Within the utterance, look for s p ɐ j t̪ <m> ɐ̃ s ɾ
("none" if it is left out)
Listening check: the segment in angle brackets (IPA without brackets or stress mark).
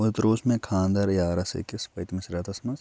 m